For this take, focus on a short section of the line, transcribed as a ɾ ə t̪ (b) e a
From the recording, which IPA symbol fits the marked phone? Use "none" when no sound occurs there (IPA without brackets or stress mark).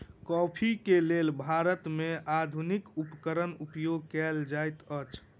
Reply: m